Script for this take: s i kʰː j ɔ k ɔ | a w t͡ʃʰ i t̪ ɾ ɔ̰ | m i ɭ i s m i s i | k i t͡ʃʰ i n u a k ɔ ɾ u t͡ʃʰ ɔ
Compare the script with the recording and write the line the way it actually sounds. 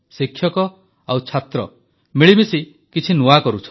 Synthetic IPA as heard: s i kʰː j ɔ k ɔ | a w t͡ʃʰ a t̪ ɾ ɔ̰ | m i ɭ i m i s i | k i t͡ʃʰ i n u a k ɔ ɾ u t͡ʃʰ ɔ